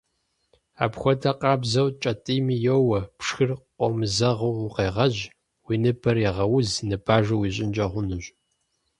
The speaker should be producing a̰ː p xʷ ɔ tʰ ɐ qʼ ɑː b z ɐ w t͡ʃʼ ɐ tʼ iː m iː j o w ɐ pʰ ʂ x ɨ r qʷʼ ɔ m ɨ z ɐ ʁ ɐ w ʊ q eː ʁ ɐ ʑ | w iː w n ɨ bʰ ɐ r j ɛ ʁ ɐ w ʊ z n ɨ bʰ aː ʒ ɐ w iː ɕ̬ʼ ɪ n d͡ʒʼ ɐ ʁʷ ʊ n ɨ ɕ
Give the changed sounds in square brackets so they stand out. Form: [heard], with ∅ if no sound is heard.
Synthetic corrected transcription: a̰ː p xʷ ɔ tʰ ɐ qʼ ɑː b z ɐ w t͡ʃʼ ɐ tʼ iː m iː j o w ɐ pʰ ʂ x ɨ r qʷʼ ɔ m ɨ z ɐ ʁ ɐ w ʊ q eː ʁ ɐ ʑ | w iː [∅] n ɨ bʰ ɐ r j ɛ ʁ ɐ w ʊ z n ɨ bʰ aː ʒ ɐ w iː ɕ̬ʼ ɪ n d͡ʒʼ ɐ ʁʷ ʊ n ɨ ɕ